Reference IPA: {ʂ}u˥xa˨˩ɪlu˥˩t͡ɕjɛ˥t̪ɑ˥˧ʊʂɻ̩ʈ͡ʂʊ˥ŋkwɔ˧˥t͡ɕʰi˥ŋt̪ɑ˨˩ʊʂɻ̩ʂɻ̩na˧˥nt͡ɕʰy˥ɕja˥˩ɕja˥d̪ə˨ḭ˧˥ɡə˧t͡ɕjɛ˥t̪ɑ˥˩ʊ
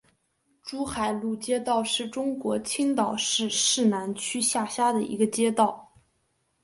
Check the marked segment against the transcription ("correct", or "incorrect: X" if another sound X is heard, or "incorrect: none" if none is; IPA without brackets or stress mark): incorrect: ʈ͡ʂ